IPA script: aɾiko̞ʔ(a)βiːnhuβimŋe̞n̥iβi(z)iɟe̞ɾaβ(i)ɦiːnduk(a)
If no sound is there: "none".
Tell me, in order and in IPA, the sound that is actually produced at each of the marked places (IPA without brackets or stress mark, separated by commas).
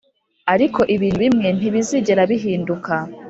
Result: i, z, i, a